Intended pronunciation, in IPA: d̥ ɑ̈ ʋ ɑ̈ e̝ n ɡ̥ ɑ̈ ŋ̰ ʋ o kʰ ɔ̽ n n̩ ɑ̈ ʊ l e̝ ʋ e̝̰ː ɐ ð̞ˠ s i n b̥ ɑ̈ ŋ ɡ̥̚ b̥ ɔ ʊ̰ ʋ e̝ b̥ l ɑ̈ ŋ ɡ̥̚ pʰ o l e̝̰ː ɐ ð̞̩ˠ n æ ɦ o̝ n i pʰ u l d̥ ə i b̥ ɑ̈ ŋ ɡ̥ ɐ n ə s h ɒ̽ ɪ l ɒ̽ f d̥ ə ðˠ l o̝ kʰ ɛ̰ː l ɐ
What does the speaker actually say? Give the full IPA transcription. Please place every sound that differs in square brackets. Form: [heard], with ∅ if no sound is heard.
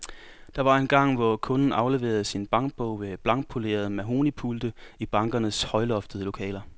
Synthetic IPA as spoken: d̥ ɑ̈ ʋ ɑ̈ e̝ n ɡ̥ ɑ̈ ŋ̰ ʋ [ɒ] kʰ ɔ̽ n n̩ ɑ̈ ʊ l e̝ ʋ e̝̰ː ɐ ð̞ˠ s i n b̥ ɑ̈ ŋ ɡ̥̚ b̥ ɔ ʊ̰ ʋ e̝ b̥ l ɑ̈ ŋ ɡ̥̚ pʰ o l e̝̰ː ɐ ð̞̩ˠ [m] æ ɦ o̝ n i pʰ u l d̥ ə i b̥ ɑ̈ ŋ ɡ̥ ɐ n ə s h ɒ̽ ɪ l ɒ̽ f d̥ ə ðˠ l o̝ kʰ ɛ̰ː l ɐ